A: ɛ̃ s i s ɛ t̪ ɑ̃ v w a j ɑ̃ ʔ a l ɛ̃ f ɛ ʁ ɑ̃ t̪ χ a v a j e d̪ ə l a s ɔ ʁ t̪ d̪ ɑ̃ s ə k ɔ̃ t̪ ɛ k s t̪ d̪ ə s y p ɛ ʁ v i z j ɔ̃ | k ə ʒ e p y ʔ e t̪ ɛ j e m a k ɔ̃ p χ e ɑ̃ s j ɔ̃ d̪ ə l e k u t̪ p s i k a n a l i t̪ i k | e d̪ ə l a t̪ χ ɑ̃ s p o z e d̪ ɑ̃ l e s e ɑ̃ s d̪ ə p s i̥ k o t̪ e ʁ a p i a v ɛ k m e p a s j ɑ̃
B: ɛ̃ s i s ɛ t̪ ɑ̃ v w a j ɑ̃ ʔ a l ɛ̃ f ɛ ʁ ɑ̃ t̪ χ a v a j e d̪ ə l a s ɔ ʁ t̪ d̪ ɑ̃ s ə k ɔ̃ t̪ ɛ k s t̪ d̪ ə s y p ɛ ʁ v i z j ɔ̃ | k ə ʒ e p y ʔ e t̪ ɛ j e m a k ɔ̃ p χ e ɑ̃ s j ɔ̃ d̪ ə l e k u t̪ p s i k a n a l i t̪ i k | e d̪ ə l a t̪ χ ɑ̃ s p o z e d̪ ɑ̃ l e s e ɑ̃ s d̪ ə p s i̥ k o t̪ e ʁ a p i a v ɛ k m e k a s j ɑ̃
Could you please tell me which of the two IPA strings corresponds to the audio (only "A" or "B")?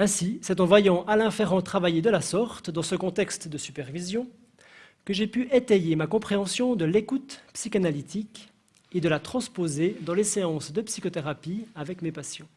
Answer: A